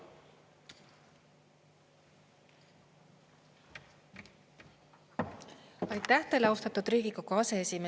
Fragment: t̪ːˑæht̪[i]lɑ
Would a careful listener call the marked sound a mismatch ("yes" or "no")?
yes